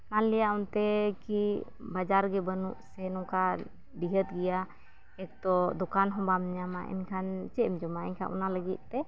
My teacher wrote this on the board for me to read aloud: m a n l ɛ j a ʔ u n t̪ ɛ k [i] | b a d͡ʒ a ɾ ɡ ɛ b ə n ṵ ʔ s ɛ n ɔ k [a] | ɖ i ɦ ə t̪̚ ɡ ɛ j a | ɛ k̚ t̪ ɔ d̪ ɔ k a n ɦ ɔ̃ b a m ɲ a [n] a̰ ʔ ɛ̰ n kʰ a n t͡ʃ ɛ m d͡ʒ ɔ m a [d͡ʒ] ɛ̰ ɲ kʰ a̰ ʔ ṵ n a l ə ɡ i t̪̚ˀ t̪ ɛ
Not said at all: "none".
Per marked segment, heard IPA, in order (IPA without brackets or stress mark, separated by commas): i, a, m, none